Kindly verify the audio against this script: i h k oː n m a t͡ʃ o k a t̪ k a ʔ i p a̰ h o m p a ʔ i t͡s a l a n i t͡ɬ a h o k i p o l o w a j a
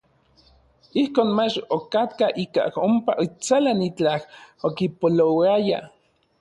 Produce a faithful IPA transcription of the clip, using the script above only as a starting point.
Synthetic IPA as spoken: i h k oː n m a t͡ʃ o k a t̪ k a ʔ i k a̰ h o m p a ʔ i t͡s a l a n i t͡ɬ a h o k i p o l o w a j a